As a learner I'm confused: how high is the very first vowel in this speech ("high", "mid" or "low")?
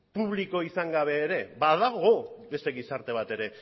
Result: high